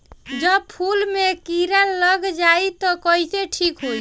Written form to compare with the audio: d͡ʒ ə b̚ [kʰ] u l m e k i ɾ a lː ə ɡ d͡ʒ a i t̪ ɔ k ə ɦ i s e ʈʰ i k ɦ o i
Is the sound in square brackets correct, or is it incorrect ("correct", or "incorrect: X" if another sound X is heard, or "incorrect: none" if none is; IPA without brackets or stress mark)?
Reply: incorrect: pʰ